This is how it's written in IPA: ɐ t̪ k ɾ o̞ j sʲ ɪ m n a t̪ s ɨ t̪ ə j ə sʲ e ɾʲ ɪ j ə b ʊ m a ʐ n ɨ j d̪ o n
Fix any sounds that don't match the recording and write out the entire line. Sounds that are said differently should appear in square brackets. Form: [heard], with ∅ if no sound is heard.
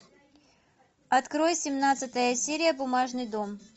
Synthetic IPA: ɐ t̪ k ɾ o̞ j sʲ ɪ m n a t̪ s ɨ t̪ ə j ə sʲ e ɾʲ ɪ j ə b ʊ m a ʐ n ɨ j d̪ o [m]